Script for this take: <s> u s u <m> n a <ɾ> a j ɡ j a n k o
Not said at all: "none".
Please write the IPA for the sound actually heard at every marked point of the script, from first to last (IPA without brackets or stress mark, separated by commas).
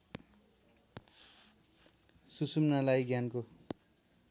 s, m, l